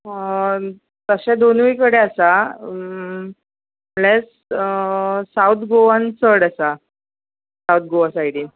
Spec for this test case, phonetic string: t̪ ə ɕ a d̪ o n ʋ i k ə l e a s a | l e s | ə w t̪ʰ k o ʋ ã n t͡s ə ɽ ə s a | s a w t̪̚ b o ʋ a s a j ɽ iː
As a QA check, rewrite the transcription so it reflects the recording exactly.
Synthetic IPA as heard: t̪ ə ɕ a d̪ o n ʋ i k ə ɽ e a s a | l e s | a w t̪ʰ ɡ o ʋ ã n t͡s ə ɽ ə s a | s a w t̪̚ ɡ o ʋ a s a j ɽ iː